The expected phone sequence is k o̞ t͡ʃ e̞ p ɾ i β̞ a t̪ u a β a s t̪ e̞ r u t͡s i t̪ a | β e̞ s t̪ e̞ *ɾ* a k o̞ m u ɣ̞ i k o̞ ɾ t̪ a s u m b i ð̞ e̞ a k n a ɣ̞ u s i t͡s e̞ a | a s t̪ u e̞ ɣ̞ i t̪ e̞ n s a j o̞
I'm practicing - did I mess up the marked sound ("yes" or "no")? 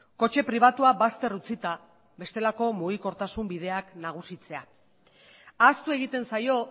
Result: yes